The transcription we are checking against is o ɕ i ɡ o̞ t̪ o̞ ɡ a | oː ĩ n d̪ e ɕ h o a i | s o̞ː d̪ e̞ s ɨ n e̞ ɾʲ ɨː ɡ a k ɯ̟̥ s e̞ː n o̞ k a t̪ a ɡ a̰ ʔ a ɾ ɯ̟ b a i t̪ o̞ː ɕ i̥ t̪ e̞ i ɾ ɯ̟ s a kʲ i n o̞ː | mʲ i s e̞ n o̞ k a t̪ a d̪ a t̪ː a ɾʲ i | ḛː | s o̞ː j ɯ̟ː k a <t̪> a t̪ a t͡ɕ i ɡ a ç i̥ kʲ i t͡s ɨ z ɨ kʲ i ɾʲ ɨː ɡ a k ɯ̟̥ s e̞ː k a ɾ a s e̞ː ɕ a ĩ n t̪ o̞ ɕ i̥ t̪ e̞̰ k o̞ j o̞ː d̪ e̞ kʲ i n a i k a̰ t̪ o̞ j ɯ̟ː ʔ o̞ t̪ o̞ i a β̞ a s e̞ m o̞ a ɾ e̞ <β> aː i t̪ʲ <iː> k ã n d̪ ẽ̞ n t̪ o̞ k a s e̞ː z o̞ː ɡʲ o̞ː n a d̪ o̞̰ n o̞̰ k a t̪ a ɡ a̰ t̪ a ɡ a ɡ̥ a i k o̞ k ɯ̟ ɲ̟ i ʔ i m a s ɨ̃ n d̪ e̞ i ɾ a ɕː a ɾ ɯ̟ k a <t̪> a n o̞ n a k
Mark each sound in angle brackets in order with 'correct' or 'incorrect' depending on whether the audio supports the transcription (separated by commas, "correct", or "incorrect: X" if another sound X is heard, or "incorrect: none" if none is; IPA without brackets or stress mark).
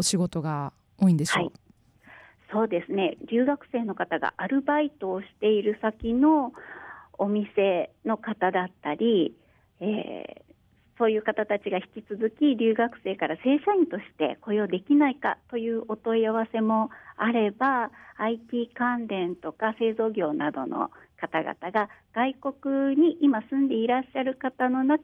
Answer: correct, incorrect: b, correct, correct